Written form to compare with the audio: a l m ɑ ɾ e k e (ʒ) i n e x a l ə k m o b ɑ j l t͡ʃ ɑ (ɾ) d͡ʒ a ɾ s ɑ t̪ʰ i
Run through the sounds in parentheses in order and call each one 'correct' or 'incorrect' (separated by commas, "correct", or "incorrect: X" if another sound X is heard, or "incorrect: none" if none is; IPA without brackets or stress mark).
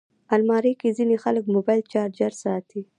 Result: incorrect: z, correct